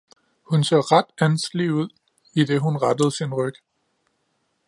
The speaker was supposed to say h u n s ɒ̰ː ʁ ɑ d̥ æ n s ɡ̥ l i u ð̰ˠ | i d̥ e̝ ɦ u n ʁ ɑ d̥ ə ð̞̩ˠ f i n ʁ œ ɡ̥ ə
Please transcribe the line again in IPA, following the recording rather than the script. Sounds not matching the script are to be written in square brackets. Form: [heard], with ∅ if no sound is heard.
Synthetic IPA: h u n s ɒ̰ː ʁ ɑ d̥ æ n s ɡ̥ l i u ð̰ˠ | i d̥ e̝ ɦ u n ʁ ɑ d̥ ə ð̞̩ˠ [s] i n ʁ œ ɡ̥ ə